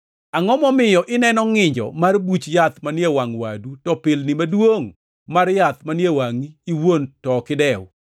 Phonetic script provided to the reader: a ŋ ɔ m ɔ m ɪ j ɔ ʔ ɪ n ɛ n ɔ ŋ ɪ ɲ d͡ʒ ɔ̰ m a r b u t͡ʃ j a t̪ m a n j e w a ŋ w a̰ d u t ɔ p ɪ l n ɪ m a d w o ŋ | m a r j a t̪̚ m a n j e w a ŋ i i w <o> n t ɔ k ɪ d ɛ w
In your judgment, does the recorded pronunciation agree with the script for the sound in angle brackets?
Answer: yes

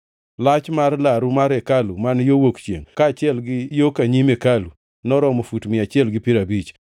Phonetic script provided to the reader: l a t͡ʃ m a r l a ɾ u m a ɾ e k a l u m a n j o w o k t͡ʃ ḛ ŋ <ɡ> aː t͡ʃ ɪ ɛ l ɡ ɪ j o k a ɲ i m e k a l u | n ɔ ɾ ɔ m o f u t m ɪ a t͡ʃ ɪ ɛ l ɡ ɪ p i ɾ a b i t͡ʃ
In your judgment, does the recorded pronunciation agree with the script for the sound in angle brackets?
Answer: no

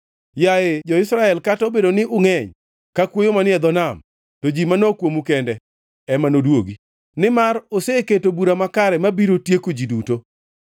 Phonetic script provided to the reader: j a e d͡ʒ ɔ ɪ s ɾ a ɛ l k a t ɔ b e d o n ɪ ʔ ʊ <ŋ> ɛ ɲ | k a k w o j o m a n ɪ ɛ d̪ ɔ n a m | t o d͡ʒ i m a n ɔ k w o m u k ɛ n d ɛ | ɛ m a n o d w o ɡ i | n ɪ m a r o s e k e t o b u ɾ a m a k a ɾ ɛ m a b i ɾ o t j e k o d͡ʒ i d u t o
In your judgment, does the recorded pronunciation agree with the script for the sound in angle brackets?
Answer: yes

